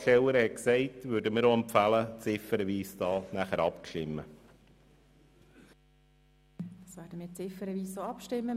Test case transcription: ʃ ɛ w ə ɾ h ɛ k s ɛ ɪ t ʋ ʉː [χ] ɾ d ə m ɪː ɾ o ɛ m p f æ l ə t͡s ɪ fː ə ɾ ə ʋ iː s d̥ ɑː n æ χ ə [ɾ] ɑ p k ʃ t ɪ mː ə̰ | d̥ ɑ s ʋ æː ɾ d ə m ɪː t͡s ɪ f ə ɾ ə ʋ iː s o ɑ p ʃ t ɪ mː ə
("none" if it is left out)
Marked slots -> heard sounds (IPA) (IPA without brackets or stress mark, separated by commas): none, ɾ